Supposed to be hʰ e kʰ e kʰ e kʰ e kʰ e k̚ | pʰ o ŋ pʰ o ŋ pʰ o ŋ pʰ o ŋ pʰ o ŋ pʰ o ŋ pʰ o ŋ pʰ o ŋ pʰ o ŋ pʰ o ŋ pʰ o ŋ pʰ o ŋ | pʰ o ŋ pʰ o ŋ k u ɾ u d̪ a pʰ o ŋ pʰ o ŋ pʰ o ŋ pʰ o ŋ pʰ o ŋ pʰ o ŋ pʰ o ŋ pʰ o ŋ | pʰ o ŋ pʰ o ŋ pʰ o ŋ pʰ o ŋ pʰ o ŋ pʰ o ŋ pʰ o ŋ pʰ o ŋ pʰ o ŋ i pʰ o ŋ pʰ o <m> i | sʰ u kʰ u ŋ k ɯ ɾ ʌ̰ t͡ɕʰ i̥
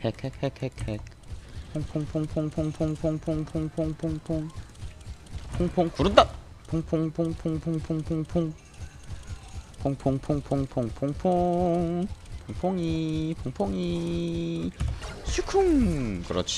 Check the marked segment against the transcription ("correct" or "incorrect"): incorrect